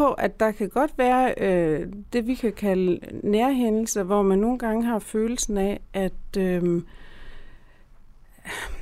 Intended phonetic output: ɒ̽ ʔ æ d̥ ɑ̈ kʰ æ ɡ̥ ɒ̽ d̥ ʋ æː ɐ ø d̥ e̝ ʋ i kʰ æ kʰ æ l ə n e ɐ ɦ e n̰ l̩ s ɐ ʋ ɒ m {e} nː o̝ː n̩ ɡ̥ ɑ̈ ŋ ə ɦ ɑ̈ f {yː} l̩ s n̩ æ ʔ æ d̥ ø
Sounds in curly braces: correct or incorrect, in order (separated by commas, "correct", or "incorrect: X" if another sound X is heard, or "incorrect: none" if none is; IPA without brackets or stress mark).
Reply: incorrect: æ, incorrect: øː